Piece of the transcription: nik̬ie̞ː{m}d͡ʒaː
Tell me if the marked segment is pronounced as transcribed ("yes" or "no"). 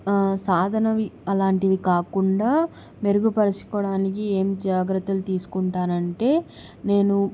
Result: yes